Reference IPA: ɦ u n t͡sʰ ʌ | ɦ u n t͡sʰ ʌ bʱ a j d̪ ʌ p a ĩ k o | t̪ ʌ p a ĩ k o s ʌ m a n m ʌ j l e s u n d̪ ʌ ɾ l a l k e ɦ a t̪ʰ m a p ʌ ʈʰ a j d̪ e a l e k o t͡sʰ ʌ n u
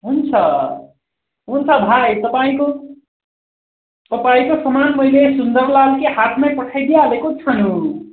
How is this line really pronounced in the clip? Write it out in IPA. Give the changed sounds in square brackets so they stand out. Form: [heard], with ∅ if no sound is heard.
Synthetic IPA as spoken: ɦ u n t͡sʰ ʌ | ɦ u n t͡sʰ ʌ bʱ a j [t̪] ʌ p a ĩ k o | t̪ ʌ p a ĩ k o s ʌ m a n m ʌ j l e s u n d̪ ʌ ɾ l a l k e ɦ a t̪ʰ m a p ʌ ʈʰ a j d̪ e a l e k o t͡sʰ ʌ n u